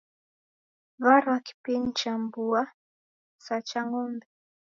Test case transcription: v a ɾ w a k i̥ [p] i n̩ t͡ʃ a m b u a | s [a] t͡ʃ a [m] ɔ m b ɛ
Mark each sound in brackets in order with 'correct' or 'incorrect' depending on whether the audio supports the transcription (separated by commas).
correct, correct, incorrect